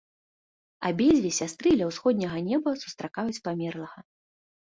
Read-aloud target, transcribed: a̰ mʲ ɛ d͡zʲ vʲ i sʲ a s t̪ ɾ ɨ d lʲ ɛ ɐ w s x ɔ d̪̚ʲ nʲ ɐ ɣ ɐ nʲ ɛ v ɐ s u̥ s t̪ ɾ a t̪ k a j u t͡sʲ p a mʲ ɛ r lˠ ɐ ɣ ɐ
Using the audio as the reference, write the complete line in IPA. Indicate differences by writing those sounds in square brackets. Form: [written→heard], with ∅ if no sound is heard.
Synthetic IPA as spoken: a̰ [mʲ→bʲ] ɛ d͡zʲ vʲ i sʲ a s t̪ ɾ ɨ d lʲ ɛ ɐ w s x ɔ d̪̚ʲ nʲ ɐ ɣ ɐ nʲ ɛ [v→b] ɐ s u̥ s t̪ ɾ a [t̪→∅] k a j u t͡sʲ p a mʲ ɛ r lˠ ɐ ɣ ɐ